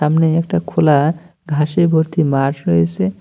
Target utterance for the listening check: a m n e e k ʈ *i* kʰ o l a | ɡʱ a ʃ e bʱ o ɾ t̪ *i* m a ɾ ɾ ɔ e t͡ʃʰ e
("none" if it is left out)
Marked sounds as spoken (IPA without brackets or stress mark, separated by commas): a, i